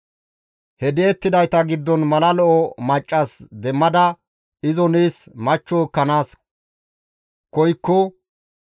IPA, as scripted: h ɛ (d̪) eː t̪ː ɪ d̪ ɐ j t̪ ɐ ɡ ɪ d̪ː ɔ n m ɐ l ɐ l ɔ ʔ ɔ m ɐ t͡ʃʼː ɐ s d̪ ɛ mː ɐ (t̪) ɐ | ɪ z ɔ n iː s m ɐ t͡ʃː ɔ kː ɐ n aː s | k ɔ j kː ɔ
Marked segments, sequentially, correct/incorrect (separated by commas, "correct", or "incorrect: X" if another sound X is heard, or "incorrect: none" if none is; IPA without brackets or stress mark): correct, incorrect: d̪